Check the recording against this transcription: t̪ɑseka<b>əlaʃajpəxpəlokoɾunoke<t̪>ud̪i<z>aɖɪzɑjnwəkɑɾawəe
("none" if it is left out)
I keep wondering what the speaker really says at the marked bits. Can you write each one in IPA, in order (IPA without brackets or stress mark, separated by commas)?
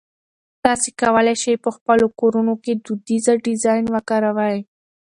w, d̪, z